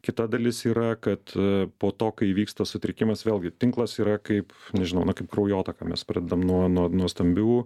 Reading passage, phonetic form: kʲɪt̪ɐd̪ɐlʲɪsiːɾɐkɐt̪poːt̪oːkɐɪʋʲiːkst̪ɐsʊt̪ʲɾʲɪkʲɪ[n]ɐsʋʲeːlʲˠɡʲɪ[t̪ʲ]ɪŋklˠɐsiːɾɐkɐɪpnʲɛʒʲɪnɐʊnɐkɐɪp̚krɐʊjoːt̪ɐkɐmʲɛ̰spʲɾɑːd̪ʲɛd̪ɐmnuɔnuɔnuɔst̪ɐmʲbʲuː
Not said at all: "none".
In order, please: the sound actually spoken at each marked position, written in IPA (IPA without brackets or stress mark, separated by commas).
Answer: m, t̪ʲ